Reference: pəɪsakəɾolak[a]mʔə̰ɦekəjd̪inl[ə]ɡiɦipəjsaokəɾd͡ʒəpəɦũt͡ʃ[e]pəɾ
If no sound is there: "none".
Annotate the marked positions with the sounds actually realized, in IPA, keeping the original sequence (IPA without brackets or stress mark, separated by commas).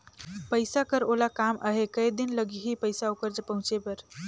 a, ə, e